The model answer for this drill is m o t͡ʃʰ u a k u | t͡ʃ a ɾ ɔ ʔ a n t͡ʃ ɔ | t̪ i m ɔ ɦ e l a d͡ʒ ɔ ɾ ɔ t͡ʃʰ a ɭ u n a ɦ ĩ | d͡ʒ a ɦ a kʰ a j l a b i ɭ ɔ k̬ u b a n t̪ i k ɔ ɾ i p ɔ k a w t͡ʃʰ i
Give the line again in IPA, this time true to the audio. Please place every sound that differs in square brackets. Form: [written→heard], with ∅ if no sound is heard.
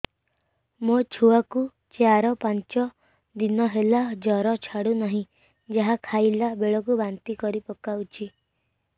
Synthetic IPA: m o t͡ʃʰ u a k u | t͡ʃ a ɾ ɔ [ʔ→p] a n t͡ʃ ɔ | [t̪→d̪] i [m→n] ɔ ɦ e l a d͡ʒ ɔ ɾ ɔ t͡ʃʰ a [ɭ→ɽ] u n a ɦ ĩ | d͡ʒ a ɦ a kʰ a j l a b [i→e] ɭ ɔ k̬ u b a n t̪ i k ɔ ɾ i p ɔ k a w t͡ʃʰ i